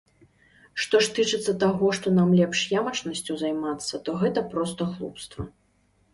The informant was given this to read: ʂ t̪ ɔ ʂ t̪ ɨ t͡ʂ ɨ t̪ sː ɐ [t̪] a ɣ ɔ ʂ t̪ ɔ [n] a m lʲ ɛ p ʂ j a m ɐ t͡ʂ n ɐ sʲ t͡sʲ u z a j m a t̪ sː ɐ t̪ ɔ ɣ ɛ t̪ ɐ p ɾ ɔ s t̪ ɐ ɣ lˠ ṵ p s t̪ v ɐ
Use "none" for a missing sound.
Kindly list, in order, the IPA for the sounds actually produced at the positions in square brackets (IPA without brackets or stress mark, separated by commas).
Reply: t̪, n